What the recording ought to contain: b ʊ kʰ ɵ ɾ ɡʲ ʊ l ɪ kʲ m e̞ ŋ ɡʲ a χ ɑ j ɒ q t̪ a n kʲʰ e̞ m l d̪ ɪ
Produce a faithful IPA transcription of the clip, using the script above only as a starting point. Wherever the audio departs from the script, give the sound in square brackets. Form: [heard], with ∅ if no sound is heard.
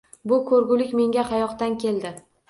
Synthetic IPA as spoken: b ʊ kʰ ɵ ɾ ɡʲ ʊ l ɪ kʲ m e̞ ŋ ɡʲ a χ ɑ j ɒ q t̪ a n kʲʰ e̞ [∅] l d̪ ɪ